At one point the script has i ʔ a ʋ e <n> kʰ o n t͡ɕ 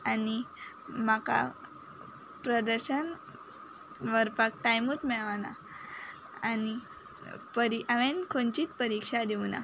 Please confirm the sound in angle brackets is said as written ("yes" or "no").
yes